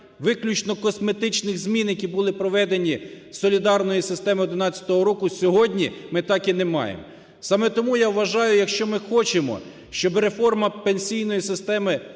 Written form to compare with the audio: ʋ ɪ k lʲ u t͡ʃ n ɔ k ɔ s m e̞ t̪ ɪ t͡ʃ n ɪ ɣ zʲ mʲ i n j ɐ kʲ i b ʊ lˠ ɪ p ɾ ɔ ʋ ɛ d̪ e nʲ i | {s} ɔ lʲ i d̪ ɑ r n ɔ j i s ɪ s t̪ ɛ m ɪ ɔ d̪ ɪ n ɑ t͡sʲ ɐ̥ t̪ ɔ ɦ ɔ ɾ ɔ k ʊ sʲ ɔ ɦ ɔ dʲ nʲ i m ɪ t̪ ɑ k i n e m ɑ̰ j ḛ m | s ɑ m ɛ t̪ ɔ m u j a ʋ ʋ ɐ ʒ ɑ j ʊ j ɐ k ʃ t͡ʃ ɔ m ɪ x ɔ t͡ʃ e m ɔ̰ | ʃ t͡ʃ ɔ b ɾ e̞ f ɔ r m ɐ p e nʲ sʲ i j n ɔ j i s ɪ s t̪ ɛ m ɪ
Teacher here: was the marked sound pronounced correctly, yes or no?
yes